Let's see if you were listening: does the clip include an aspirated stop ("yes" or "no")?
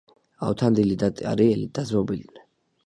yes